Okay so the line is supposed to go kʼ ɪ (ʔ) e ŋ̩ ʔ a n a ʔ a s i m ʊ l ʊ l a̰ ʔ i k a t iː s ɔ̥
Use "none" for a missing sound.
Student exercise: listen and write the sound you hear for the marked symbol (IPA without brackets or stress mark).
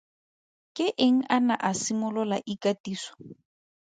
ʔ